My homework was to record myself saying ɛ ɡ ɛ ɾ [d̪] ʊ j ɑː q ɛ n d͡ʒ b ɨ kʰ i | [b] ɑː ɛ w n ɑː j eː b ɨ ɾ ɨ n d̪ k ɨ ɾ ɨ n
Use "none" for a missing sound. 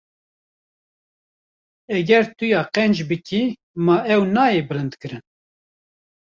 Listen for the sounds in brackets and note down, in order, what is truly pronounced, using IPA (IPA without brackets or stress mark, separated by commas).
t̪, m